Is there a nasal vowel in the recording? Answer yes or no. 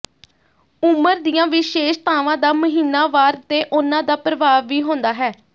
yes